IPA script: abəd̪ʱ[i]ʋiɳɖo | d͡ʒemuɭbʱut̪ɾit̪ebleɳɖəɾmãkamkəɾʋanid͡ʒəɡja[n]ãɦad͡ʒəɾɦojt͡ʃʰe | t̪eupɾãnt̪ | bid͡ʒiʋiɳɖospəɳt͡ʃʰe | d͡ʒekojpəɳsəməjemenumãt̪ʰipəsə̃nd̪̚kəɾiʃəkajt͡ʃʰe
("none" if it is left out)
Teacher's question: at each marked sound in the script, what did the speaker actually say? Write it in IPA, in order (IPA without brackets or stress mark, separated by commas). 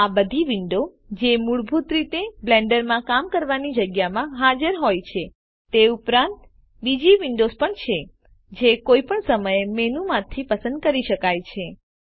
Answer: i, m